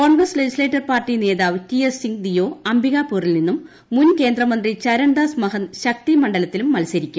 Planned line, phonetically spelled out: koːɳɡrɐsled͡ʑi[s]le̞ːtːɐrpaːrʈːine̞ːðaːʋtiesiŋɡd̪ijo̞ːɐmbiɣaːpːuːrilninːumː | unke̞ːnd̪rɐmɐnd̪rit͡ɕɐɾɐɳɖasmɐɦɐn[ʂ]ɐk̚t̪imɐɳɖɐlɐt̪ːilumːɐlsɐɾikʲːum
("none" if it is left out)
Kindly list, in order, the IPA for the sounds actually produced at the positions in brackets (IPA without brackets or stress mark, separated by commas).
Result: s, ɕ